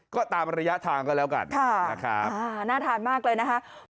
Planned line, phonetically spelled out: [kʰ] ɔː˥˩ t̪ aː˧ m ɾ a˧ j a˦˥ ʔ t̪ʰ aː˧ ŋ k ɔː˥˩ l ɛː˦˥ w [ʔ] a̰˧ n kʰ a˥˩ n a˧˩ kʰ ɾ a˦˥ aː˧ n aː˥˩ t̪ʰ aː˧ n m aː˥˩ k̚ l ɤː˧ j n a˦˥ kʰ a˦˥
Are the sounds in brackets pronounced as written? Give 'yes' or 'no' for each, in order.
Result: no, no

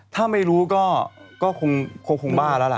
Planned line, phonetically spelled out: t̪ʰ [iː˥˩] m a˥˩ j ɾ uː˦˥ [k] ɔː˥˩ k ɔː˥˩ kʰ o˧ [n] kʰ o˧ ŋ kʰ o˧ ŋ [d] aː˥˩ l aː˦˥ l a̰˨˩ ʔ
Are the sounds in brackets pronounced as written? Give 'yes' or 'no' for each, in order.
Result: no, yes, no, no

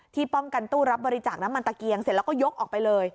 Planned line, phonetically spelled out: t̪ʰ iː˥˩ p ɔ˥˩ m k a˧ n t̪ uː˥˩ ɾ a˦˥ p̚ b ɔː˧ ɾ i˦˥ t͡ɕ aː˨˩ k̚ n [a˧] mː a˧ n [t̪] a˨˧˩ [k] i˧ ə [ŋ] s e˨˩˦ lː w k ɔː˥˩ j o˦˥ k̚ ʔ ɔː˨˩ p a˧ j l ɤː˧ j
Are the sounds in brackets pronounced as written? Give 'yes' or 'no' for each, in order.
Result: no, yes, yes, yes

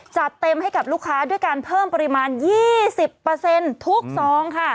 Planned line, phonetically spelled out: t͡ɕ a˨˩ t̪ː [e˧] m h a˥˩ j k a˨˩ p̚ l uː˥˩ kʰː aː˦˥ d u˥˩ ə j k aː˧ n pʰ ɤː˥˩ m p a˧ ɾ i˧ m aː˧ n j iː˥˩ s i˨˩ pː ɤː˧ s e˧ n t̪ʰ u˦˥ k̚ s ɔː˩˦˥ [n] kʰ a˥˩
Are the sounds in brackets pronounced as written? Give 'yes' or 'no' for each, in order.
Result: yes, no

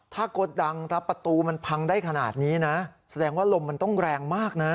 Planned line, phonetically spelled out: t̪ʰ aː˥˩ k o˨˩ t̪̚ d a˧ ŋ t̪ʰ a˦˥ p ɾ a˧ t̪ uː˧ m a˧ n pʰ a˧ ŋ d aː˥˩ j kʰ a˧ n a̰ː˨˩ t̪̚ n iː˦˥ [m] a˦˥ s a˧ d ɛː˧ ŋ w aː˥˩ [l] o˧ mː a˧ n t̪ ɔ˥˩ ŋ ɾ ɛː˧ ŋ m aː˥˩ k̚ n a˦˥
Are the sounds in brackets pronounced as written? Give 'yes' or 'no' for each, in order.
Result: no, yes

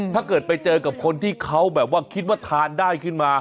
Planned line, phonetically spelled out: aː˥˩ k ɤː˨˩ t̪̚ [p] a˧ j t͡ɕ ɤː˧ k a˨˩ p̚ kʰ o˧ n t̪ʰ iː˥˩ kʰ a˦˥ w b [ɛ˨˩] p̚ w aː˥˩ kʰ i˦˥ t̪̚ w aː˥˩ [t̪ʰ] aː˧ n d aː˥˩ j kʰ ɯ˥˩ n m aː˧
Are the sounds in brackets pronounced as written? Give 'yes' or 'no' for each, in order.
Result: yes, no, yes

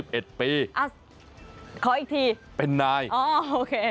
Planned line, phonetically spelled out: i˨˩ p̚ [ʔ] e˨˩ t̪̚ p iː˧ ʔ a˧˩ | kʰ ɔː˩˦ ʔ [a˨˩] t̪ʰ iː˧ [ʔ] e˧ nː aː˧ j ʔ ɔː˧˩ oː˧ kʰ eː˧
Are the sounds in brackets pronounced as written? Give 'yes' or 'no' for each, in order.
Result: yes, no, no

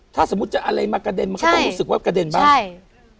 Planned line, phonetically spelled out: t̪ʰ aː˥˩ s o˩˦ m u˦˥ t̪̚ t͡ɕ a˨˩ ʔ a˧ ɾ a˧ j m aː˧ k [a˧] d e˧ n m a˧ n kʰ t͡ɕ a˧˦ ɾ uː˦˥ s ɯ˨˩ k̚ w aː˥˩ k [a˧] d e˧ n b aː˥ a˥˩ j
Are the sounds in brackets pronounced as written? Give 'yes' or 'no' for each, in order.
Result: yes, yes

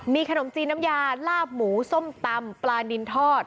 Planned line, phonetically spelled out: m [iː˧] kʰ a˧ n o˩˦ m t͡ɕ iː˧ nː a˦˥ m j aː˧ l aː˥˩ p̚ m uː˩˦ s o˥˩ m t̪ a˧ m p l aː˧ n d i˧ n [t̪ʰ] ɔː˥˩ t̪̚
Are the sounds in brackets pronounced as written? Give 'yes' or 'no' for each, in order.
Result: yes, yes

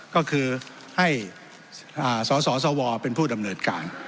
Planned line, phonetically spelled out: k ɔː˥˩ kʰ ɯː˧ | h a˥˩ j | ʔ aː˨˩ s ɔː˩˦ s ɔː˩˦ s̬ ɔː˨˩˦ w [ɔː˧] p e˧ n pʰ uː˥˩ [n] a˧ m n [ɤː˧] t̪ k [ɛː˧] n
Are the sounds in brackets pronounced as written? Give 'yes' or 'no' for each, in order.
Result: yes, no, yes, no

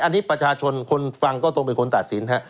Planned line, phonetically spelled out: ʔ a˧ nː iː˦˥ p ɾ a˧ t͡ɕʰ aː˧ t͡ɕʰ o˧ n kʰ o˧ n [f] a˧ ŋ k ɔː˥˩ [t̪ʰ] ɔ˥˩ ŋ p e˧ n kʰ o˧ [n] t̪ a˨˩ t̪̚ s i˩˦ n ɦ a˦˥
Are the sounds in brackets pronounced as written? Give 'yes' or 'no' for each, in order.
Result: yes, no, yes

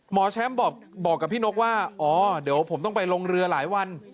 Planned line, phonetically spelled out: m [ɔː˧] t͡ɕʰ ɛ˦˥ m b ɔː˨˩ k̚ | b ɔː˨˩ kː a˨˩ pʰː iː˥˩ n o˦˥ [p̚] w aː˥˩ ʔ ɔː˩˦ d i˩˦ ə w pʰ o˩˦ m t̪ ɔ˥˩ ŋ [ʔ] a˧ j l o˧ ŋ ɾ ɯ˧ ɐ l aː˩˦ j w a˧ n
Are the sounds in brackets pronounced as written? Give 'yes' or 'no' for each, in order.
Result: no, no, no

